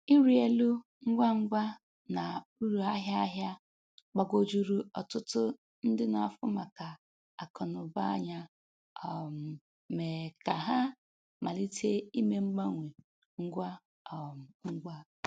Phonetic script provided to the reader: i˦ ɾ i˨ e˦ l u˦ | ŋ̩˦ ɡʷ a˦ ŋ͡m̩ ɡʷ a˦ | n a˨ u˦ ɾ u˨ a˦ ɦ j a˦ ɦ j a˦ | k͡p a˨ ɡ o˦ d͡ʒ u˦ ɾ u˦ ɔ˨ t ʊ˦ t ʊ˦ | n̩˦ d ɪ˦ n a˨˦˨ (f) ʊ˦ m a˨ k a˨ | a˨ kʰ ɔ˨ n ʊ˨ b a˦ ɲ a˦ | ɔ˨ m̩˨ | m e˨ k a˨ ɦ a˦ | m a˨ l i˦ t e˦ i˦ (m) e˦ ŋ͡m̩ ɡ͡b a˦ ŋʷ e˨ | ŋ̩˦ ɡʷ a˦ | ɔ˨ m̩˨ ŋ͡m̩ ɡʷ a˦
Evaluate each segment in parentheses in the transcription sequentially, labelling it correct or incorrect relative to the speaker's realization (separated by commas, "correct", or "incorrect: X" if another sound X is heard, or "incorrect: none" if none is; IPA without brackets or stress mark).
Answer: correct, correct